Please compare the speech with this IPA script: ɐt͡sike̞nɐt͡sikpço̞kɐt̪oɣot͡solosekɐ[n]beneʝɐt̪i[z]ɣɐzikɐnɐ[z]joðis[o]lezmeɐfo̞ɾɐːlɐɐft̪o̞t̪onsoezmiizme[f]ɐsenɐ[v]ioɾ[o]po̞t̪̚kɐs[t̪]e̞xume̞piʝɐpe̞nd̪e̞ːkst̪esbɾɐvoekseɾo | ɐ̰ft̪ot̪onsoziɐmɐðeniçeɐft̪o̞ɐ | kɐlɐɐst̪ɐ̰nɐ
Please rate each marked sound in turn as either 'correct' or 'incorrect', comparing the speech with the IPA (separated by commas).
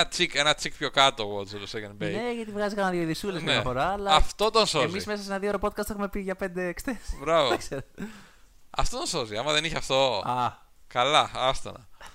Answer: correct, incorrect, incorrect, incorrect, incorrect, incorrect, correct, correct